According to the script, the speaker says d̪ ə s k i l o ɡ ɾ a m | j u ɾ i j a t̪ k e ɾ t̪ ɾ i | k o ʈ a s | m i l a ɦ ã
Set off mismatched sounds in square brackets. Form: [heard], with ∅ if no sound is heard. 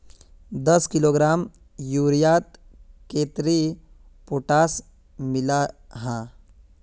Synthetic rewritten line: d̪ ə s k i l o ɡ ɾ a m | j u ɾ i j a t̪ k e [∅] t̪ ɾ i | [p] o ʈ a s | m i l a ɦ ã